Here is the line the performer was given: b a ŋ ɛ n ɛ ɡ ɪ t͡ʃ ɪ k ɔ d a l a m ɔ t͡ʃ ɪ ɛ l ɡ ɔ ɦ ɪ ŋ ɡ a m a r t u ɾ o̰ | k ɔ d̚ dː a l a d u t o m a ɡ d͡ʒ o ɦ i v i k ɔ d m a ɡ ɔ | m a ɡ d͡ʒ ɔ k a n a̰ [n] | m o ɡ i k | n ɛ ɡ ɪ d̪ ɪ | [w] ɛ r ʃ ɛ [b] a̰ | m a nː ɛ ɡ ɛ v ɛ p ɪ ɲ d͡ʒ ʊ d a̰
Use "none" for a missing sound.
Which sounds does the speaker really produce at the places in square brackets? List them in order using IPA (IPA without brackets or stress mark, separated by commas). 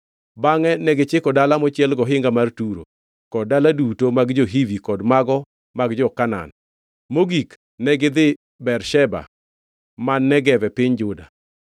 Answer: n, b, b